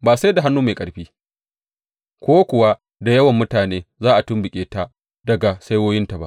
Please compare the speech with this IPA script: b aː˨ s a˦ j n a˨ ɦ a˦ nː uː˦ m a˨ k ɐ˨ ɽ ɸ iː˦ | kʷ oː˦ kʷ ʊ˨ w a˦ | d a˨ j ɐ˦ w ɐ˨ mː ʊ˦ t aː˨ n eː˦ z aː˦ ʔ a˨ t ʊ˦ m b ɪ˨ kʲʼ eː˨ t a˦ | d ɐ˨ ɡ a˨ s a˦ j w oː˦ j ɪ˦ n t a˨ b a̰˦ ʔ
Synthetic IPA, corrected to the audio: b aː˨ s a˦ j d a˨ ɦ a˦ nː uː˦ m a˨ kʼ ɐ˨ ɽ ɸ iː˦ | kʷ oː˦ kʷ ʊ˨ w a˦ | d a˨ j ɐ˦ w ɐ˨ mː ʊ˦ t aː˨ n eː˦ z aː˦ ʔ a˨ t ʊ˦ m b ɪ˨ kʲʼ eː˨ t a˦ | d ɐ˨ ɡ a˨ s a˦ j w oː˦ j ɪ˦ n t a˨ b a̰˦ ʔ